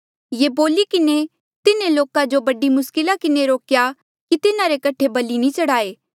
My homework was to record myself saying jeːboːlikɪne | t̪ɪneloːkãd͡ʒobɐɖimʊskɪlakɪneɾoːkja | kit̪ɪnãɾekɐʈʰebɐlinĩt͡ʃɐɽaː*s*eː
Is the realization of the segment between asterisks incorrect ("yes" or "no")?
yes